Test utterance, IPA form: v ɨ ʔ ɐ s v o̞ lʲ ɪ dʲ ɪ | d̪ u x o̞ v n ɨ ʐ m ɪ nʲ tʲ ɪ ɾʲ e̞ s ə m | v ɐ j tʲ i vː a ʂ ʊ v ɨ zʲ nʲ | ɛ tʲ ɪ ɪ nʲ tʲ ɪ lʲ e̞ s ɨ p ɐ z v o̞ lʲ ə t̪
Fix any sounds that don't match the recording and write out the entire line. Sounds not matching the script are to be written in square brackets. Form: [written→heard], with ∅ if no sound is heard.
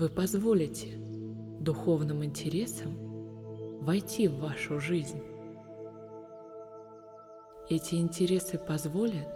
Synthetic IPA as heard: v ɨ [ʔ→p] ɐ [s→z] v o̞ lʲ ɪ [dʲ→tʲ] ɪ | d̪ [u→ʊ] x o̞ v n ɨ [ʐ→∅] m ɪ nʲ tʲ ɪ ɾʲ e̞ s ə m | v ɐ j tʲ i vː a ʂ ʊ [v→ʐ] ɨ zʲ nʲ | ɛ tʲ ɪ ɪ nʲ tʲ ɪ [lʲ→ɾʲ] e̞ s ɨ p ɐ z v o̞ lʲ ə t̪